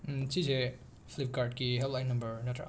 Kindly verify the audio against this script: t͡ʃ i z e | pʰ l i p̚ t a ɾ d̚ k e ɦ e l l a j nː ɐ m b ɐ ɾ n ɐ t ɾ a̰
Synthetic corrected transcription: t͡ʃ i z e | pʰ l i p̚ k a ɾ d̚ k i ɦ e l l a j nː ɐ m b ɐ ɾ n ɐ t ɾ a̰